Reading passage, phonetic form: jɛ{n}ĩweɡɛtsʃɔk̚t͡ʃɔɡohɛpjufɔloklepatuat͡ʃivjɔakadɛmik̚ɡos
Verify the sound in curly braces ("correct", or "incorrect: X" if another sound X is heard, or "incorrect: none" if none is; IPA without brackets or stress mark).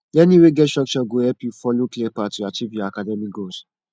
correct